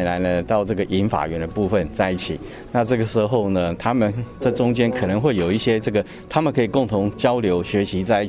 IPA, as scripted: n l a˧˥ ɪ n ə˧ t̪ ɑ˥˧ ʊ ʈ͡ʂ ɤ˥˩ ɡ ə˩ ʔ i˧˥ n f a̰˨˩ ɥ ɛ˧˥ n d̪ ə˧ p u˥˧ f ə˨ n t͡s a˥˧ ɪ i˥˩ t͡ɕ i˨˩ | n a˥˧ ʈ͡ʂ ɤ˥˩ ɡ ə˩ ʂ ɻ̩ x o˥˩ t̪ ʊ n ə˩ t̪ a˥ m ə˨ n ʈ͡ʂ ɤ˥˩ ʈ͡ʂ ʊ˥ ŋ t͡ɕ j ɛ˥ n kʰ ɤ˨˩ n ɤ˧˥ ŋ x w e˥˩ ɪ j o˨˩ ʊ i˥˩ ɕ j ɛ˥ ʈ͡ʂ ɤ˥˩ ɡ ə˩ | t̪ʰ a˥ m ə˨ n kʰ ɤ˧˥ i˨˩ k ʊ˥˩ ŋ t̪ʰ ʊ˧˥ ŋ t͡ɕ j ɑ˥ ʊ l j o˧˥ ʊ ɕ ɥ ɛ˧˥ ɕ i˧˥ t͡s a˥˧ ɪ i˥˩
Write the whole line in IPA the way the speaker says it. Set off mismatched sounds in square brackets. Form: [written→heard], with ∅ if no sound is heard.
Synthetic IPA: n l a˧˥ ɪ n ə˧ t̪ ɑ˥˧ ʊ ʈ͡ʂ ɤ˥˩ ɡ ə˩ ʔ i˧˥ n f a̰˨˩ ɥ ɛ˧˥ n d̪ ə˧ p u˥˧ f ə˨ n t͡s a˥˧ ɪ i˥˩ [t͡ɕ→t͡ɕʰ] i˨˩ | n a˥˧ ʈ͡ʂ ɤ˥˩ ɡ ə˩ ʂ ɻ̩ x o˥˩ [t̪→∅] ʊ n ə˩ [t̪→t̪ʰ] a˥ m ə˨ n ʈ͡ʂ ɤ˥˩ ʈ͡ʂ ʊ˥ ŋ t͡ɕ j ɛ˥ n kʰ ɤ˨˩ n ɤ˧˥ ŋ x w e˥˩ ɪ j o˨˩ ʊ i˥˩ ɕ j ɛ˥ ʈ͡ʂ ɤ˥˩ ɡ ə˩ | t̪ʰ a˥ m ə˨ n kʰ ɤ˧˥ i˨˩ k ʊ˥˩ ŋ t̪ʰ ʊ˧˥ ŋ t͡ɕ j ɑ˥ ʊ l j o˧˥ ʊ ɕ ɥ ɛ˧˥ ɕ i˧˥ t͡s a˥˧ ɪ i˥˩